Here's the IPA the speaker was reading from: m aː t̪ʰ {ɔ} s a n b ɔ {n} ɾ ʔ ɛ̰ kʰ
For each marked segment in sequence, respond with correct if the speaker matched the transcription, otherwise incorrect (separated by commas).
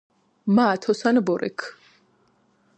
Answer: correct, incorrect